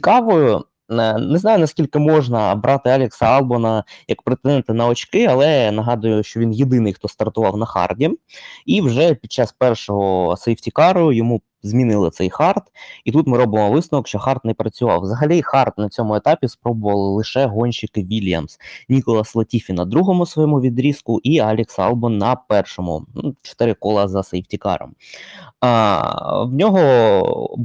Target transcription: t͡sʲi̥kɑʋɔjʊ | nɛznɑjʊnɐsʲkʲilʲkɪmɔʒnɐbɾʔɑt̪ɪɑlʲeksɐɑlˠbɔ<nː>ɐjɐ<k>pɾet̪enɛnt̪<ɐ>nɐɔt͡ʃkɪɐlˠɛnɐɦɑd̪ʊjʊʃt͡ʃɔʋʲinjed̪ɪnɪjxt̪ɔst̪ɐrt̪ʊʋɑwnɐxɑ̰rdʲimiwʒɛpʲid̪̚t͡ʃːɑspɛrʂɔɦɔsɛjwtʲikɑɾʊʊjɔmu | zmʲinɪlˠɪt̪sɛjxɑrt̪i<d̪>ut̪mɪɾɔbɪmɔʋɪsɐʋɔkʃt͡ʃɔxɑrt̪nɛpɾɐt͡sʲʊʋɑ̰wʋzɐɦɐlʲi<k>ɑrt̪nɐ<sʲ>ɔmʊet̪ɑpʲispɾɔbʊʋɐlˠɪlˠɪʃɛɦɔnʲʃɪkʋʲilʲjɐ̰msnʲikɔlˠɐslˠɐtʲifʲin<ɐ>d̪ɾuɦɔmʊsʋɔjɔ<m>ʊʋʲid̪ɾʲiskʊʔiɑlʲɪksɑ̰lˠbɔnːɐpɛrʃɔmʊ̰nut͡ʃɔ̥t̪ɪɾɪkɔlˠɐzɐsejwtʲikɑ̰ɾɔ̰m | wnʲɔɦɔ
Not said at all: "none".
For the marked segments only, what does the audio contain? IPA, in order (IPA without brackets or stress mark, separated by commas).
n, k, ɐ, t̪, x, t͡sʲ, ɐ, m